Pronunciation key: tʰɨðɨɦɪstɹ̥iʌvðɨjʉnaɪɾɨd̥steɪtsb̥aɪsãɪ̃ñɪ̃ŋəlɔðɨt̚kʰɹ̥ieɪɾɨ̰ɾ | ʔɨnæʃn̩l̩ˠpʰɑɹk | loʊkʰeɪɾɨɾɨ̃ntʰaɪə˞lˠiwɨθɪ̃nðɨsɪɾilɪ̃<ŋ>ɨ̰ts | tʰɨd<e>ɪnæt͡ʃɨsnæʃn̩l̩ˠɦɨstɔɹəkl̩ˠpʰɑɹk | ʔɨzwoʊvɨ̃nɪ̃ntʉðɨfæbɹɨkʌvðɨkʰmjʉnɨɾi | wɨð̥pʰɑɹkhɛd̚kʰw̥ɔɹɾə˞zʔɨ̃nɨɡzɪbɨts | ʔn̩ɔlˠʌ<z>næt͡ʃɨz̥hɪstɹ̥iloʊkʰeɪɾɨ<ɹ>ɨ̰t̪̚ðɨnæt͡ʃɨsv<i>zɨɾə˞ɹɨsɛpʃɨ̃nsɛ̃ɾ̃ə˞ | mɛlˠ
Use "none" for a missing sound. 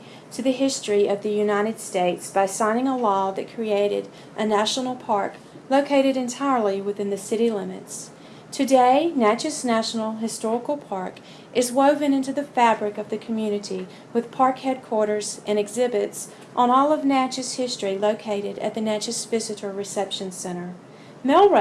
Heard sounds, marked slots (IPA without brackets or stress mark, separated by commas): m, e, v, ɾ, ɪ